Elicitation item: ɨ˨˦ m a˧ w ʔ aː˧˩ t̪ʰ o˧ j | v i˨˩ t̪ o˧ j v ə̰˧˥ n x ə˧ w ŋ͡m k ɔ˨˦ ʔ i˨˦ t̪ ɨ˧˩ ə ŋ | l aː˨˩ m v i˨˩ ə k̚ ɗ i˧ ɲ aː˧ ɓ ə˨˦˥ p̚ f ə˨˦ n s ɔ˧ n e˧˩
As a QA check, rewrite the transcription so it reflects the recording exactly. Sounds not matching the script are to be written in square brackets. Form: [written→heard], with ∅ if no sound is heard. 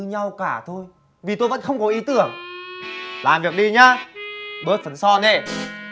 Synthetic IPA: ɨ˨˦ [m→ɲ] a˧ w [ʔ→k] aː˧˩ t̪ʰ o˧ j | v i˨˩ t̪ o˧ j v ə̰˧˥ n x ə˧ w ŋ͡m k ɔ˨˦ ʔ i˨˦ t̪ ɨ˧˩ ə ŋ | l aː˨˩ m v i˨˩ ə k̚ ɗ i˧ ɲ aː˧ ɓ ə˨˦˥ [p̚→t̚] f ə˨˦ n s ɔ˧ n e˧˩